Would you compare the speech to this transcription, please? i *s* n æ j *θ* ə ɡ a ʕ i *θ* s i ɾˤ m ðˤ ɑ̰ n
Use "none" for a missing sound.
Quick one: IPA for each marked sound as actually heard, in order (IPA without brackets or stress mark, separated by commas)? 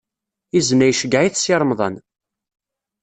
z, ʃ, θ